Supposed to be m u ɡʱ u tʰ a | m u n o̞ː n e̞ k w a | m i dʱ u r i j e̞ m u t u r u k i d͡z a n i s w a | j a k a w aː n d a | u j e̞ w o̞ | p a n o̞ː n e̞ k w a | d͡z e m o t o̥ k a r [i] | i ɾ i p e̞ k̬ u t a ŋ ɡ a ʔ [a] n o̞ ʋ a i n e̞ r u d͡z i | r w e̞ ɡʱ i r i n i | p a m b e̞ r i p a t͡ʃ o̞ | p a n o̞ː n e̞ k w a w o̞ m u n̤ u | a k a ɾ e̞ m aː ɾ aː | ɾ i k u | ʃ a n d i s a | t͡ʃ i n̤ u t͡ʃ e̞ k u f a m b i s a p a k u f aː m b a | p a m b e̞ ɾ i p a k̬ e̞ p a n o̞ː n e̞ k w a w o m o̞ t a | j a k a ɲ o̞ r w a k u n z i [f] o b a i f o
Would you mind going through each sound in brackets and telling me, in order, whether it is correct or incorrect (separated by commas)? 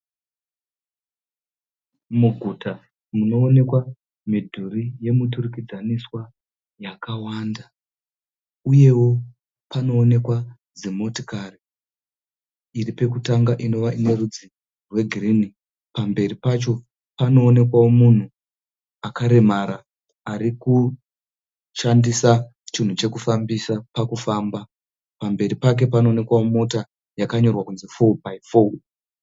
correct, incorrect, correct